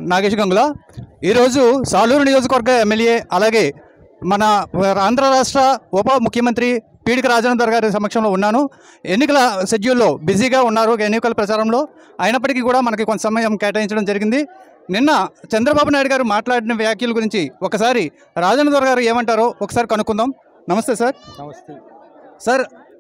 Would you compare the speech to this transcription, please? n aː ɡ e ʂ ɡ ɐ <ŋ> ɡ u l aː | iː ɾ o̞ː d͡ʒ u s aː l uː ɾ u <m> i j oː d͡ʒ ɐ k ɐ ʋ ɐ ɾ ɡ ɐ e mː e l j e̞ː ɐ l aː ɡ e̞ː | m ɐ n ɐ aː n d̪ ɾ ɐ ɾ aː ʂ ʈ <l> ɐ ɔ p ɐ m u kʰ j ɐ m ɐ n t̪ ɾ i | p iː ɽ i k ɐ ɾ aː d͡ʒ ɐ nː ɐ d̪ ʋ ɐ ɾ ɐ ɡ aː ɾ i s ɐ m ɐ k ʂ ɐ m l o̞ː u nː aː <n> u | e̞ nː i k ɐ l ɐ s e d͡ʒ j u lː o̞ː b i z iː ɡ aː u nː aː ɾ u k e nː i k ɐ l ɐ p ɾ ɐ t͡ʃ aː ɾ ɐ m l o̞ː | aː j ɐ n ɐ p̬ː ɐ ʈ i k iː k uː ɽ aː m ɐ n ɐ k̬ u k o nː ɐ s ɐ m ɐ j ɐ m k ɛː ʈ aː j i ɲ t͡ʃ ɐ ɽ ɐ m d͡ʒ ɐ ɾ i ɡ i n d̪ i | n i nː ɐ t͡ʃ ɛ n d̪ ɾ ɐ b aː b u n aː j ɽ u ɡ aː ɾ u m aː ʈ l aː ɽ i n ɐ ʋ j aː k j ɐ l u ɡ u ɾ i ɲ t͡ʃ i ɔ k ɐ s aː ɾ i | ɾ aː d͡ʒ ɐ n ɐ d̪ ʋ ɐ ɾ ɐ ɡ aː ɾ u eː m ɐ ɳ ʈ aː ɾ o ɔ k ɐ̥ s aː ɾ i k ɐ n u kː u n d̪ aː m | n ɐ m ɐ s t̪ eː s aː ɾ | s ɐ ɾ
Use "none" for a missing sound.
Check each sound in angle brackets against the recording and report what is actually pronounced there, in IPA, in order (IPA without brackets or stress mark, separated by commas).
ŋ, n, ɾ, n